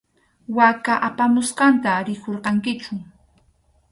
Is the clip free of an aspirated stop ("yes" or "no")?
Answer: yes